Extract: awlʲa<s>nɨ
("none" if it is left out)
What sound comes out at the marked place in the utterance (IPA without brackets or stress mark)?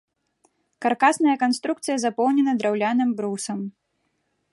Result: none